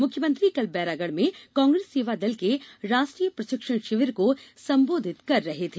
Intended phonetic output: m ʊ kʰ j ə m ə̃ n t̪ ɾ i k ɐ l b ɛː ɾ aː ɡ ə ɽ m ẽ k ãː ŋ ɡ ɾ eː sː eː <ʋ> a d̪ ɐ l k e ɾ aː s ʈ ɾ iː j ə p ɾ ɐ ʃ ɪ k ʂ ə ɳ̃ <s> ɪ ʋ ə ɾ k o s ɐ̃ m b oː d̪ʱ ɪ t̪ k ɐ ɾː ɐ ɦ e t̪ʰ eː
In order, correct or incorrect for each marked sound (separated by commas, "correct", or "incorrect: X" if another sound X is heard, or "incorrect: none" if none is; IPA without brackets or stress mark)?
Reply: correct, incorrect: ʃ